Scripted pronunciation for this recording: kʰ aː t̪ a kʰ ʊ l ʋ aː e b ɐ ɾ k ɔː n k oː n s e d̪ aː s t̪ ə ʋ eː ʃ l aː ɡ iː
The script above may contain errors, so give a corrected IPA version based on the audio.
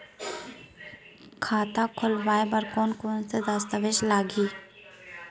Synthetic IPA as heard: kʰ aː t̪ a kʰ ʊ l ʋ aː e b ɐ ɾ k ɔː n k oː n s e d̪ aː s t̪ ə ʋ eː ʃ l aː ɡ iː

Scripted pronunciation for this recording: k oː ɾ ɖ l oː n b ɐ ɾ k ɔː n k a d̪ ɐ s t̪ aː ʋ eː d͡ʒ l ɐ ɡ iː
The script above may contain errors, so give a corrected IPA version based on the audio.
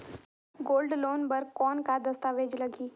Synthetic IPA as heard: ɡ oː l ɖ l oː n b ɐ ɾ k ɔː n k a d̪ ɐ s t̪ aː ʋ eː d͡ʒ l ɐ ɡ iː

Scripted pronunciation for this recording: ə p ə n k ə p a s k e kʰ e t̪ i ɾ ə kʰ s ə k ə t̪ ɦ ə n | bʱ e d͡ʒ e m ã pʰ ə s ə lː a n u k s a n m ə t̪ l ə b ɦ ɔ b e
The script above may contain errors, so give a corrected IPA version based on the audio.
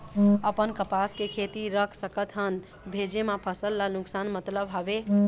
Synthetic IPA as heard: ə p ə n k ə p a s k e kʰ e t̪ i ɾ ə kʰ s ə k ə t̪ ɦ ə n | bʱ e d͡ʒ e m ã pʰ ə s ə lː a n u k s a n m ə t̪ l ə b ɦ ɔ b e

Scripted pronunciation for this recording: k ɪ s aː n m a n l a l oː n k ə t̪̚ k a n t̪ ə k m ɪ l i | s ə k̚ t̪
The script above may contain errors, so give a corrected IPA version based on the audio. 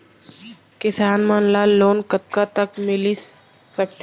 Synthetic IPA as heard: k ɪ s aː n m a n l a l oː n k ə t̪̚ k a t̪ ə k m ɪ l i | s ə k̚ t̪

